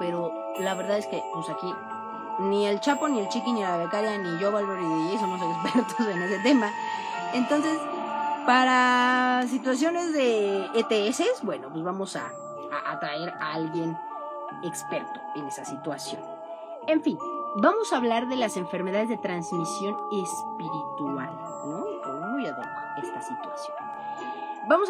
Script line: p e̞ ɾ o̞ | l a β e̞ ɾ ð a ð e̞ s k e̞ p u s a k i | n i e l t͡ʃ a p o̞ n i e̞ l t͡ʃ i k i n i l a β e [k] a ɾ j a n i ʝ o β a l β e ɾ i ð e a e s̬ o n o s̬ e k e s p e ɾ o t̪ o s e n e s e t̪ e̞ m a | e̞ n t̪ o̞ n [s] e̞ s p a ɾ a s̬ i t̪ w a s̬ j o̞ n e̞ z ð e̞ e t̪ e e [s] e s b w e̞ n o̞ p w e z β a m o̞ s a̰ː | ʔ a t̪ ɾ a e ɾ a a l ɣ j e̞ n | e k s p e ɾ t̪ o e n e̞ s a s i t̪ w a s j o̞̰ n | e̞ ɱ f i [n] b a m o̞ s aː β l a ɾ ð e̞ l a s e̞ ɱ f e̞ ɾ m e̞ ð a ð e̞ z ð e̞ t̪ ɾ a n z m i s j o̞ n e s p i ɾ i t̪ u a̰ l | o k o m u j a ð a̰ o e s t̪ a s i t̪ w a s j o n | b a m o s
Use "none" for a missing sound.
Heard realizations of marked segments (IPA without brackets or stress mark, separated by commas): k, s, s, n